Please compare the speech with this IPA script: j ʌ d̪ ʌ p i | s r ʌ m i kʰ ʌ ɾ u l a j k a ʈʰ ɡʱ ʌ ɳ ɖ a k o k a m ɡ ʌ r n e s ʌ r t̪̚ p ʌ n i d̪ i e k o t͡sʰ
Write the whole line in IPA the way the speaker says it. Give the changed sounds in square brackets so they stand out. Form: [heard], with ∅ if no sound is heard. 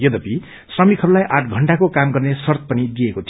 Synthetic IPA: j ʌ d̪ ʌ p i | s r ʌ m i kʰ ʌ ɾ u l a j [ʔ] a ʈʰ ɡʱ ʌ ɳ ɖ a k o k a m ɡ ʌ r n e s ʌ r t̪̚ p ʌ n i d̪ i e k o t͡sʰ

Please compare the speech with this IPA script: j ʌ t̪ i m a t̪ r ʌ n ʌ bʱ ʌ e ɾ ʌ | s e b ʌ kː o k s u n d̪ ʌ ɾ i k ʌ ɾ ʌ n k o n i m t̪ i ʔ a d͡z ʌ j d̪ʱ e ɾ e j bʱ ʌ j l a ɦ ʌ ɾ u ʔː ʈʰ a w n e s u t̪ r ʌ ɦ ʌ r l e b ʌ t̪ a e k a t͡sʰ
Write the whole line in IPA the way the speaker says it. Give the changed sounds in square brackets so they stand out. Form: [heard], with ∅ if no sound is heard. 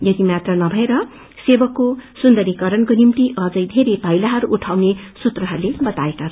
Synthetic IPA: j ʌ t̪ i m a t̪ r ʌ n ʌ bʱ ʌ e ɾ ʌ | s e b ʌ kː o [∅] s u n d̪ ʌ ɾ i k ʌ ɾ ʌ n k o n i m t̪ i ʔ [ʌ] d͡z ʌ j d̪ʱ e ɾ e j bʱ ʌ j l a ɦ ʌ ɾ u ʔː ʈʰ a w n e s u t̪ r ʌ ɦ ʌ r l e b ʌ t̪ a e k a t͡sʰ

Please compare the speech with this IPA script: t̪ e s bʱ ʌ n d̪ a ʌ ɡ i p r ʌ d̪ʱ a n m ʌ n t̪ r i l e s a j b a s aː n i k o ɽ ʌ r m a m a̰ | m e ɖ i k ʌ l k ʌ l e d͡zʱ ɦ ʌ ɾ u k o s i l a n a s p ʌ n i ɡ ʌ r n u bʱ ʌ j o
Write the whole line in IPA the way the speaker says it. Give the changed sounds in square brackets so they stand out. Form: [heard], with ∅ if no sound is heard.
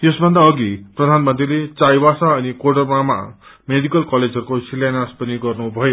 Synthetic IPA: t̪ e s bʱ ʌ n d̪ a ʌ ɡ i p r ʌ d̪ʱ a n m ʌ n t̪ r i l e [t͡s] a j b a s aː n i k o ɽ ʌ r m a m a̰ | m e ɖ i k ʌ l k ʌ l e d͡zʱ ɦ ʌ ɾ u k o s i l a n a s p ʌ n i ɡ ʌ r n u bʱ ʌ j o

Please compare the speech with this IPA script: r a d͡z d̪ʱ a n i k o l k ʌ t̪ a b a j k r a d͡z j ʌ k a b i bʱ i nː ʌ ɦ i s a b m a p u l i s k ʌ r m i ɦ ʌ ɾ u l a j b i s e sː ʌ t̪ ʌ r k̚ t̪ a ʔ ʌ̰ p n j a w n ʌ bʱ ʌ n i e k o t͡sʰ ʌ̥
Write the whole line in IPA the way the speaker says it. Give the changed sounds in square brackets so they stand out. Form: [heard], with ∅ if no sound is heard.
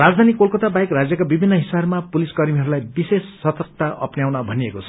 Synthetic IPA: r a d͡z d̪ʱ a n i k o l k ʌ t̪ a b a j k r a d͡z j ʌ k a b i bʱ i nː ʌ ɦ i s a b m a p u l i s k ʌ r m i ɦ ʌ ɾ u l a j b i s e sː ʌ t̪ ʌ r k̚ t̪ a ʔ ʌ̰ p n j a w n ʌ bʱ ʌ n i e k o t͡sʰ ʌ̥

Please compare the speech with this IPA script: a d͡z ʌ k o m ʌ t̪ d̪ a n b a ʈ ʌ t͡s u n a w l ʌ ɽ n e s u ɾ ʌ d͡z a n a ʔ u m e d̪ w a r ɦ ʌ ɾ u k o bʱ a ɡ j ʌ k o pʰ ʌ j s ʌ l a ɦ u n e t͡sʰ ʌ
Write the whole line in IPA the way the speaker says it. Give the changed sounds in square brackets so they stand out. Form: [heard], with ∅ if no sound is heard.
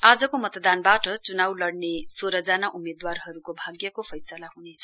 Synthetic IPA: a d͡z ʌ k o m ʌ t̪ d̪ a n b a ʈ ʌ t͡s u n a w l ʌ ɽ n e s [o] ɾ ʌ d͡z a n a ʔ u m e d̪ w a r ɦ ʌ ɾ u k o bʱ a ɡ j ʌ k o pʰ ʌ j s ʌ l a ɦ u n e t͡sʰ ʌ

